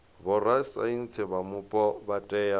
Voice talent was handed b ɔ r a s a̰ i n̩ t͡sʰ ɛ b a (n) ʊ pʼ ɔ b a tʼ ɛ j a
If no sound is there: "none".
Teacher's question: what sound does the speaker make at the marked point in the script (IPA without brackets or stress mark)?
m